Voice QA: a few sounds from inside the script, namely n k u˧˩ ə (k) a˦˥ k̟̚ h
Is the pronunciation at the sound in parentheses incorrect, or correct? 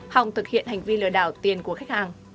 incorrect